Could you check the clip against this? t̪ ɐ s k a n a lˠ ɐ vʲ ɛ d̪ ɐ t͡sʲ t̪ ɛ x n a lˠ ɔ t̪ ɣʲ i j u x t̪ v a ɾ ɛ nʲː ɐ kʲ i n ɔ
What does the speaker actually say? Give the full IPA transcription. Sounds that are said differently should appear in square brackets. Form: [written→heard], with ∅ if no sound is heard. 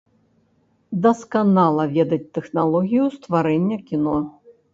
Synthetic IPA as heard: [t̪→d̪] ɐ s k a n a lˠ ɐ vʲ ɛ d̪ ɐ t͡sʲ t̪ ɛ x n a lˠ ɔ [t̪→∅] ɣʲ i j u [x→s] t̪ v a ɾ ɛ nʲː ɐ kʲ i n ɔ